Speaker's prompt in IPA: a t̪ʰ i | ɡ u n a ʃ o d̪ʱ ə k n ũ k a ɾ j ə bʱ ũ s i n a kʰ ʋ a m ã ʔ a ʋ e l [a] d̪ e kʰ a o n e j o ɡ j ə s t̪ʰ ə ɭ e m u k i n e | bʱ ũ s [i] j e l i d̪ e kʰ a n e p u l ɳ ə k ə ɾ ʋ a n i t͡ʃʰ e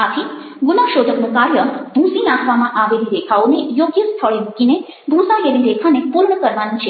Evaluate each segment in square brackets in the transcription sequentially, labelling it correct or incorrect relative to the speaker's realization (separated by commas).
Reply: incorrect, incorrect